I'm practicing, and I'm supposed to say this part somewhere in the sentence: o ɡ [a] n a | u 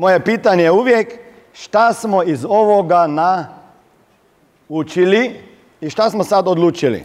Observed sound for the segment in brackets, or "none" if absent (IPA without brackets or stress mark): a